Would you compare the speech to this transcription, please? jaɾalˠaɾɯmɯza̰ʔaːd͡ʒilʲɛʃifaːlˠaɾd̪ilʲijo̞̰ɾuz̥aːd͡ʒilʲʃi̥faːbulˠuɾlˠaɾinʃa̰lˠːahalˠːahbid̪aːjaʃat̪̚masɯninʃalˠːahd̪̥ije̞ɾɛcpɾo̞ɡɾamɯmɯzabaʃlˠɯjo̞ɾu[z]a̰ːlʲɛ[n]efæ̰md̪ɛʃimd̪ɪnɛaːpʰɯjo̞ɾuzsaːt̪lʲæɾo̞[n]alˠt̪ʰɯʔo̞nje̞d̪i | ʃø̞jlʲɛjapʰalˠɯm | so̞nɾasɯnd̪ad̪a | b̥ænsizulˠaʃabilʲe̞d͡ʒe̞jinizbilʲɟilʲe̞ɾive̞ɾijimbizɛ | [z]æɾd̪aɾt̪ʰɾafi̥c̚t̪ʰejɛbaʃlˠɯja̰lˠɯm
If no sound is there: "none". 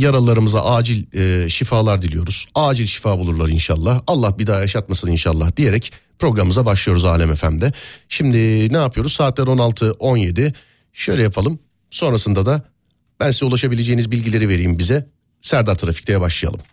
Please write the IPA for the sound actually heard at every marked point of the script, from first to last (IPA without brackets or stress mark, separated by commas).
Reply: z, m, n, s